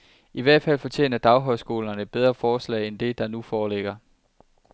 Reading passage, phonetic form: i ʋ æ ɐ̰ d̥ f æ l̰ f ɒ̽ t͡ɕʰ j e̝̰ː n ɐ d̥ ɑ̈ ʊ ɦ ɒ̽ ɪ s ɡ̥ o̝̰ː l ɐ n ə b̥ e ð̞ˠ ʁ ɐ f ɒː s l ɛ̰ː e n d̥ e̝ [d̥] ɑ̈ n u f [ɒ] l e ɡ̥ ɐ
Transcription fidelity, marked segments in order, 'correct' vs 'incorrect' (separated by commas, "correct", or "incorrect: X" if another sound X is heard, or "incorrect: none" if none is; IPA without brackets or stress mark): correct, incorrect: ɒː